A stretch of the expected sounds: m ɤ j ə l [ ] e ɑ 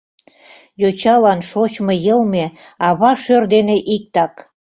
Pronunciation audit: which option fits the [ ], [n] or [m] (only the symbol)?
m